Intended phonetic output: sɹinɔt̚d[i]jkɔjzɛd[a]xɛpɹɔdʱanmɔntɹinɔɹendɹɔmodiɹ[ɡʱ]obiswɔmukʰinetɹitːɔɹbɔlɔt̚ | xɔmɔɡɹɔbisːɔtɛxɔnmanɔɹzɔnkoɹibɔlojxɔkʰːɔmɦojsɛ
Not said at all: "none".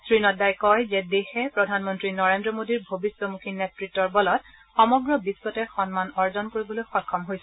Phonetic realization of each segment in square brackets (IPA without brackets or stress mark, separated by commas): a, e, bʱ